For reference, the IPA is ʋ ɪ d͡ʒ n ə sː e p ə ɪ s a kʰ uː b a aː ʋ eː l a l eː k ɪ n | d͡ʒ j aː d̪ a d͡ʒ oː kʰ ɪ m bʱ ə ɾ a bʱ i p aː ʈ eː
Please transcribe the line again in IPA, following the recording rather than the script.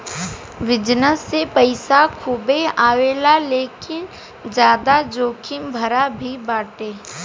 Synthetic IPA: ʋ ɪ d͡ʒ n ə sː e p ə ɪ s a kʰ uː b e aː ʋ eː l a l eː k ɪ n | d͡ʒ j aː d̪ a d͡ʒ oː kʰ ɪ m bʱ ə ɾ a bʱ i b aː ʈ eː